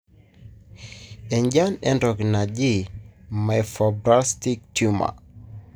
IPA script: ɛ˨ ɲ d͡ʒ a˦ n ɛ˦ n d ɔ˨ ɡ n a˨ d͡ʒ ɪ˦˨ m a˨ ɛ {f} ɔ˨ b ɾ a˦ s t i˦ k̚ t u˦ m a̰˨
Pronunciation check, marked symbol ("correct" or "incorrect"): correct